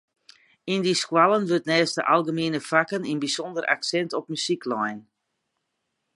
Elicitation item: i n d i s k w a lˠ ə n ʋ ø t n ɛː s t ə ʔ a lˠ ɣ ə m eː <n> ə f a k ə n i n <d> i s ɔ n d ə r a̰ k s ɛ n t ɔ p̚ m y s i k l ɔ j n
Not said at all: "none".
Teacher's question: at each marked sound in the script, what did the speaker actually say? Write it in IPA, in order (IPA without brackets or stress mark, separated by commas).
n, b